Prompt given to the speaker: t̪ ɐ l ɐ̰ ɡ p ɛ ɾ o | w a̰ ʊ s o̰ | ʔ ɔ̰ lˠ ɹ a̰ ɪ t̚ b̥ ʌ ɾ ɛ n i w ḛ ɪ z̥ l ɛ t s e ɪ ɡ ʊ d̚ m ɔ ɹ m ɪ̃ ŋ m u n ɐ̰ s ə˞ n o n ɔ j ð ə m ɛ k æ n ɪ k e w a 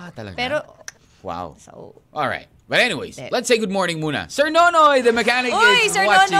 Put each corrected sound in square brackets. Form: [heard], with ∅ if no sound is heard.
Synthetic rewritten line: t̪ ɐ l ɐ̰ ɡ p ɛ ɾ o | w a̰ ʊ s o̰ | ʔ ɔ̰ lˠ ɹ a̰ ɪ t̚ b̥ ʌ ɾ ɛ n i w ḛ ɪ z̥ l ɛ t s e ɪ ɡ ʊ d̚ m ɔ ɹ [n] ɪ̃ ŋ m u n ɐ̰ s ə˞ n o n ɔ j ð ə m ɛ k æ n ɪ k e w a